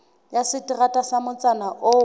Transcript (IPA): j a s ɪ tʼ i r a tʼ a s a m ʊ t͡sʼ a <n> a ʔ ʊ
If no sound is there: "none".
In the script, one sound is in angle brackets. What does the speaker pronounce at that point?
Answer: n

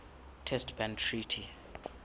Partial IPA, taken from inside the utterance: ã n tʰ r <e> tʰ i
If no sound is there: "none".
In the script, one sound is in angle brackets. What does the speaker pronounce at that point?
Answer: i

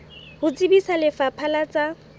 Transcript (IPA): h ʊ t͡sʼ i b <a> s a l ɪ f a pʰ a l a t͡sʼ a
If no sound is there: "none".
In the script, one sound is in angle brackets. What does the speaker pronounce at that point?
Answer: i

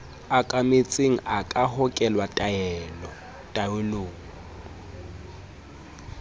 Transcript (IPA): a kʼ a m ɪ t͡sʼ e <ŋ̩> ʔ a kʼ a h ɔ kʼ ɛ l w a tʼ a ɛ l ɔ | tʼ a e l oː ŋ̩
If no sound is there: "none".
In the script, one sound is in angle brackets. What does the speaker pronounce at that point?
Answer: ŋ̩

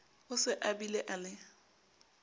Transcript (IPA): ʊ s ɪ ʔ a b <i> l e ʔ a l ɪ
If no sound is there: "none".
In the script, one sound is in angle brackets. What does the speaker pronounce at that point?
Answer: i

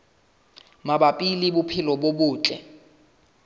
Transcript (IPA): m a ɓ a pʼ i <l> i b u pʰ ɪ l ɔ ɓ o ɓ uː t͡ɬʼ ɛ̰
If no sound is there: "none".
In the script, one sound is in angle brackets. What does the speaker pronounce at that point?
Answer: l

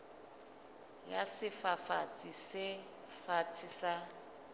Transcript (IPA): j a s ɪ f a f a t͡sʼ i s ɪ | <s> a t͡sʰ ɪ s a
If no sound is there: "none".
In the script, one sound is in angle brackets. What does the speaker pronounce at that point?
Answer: f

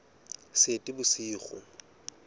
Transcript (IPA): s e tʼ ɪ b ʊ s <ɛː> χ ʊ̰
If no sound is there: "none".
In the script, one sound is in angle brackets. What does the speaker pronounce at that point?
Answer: iː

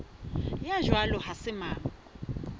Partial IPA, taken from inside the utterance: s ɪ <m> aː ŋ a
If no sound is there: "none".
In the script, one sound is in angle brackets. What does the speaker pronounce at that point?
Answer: m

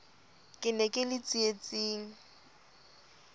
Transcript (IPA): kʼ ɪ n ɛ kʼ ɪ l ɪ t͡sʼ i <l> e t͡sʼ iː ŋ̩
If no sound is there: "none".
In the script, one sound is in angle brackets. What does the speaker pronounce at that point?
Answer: none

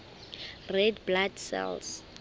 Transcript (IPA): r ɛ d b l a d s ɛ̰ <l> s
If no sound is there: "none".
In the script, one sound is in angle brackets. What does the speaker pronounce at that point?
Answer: l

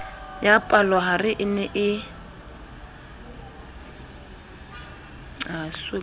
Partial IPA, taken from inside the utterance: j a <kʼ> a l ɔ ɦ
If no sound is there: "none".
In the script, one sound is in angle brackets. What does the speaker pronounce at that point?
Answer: pʼ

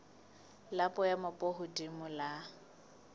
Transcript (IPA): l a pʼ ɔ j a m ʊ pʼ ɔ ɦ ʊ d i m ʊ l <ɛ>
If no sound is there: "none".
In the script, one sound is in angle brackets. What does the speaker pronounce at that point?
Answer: a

